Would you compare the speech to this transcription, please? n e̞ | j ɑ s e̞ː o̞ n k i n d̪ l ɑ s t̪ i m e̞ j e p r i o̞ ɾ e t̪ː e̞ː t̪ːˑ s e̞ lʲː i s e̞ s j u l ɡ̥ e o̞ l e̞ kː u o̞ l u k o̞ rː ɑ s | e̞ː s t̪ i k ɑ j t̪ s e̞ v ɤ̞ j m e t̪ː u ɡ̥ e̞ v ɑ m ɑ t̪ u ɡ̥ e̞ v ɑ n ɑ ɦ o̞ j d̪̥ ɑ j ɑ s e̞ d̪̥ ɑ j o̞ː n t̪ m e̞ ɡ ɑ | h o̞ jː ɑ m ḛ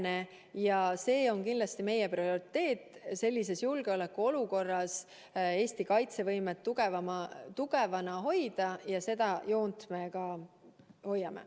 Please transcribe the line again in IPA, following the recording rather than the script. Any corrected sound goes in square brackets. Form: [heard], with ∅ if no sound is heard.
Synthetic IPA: n e̞ | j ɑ s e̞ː o̞ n k i n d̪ l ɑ s t̪ i m e̞ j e p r i o̞ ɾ [i] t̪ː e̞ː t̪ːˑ s e̞ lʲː i s e̞ s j u l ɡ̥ e o̞ l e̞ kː u o̞ l u k o̞ rː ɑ s | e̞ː s t̪ i k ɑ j t̪ s e̞ v ɤ̞ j m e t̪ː u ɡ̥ e̞ v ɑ m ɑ t̪ u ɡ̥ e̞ v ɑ n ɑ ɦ o̞ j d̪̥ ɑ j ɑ s e̞ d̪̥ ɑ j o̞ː n t̪ m e̞ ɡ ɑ | h o̞ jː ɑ m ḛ